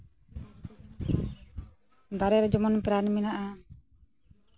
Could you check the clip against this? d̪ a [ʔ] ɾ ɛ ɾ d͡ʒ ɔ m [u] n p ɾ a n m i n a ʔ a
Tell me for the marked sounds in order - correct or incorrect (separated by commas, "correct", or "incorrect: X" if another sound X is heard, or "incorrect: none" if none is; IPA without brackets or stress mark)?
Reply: incorrect: none, incorrect: ɔ